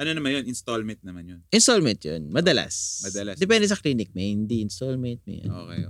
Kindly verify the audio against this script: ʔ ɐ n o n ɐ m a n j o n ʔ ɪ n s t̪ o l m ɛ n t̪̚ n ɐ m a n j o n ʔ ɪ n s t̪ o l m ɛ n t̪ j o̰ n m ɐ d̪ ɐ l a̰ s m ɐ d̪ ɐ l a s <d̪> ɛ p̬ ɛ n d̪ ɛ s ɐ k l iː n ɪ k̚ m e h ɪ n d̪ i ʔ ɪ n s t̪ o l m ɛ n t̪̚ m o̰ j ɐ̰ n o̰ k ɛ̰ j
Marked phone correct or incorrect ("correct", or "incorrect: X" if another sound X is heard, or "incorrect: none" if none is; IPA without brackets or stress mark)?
correct